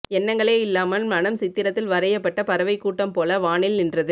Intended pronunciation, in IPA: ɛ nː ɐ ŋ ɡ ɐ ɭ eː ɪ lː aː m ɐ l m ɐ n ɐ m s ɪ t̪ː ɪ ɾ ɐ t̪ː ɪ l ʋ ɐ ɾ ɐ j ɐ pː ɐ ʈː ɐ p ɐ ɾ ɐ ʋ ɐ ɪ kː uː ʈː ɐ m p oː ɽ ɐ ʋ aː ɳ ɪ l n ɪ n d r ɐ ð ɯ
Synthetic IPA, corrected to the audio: ɛ nː ɐ ŋ ɡ ɐ ɭ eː ɪ lː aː m ɐ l m ɐ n ɐ m s ɪ t̪ː ɪ ɾ ɐ t̪ː ɪ l ʋ ɐ ɾ ɐ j ɐ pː ɐ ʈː ɐ p ɐ ɾ ɐ ʋ ɐ ɪ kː uː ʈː ɐ m p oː l ɐ ʋ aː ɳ ɪ l n ɪ n d r ɐ ð ɯ